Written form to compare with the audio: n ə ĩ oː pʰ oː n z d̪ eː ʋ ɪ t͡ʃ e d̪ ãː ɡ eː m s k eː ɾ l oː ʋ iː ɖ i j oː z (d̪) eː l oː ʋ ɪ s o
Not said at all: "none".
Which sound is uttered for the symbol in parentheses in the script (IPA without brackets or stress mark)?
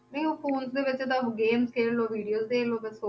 d̪